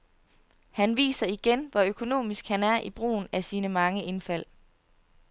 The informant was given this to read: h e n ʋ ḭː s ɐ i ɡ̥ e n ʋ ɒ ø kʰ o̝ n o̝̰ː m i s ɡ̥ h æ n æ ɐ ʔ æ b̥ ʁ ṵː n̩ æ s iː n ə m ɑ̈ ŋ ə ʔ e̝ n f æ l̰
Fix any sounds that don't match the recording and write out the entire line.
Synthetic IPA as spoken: h æ n ʋ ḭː s ɐ i ɡ̥ e n ʋ ɒ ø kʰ o̝ n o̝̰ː m i s ɡ̥ h æ n æ ɐ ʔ i b̥ ʁ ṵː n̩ æ s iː n ə m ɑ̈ ŋ ə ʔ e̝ n f æ l̰